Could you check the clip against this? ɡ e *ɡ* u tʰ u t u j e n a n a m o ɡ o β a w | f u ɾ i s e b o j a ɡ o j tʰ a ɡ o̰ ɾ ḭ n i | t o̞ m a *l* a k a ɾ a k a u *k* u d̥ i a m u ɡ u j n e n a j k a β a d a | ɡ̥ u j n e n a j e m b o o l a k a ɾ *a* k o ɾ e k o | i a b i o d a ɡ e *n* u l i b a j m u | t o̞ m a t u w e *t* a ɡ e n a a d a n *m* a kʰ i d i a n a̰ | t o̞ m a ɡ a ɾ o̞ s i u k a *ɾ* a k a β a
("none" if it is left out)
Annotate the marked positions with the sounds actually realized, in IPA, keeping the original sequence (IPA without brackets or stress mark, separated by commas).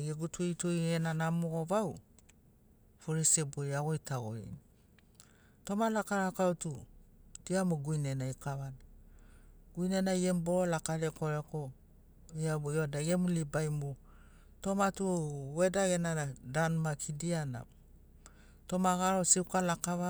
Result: ɡ, l, t, e, m, d, m, l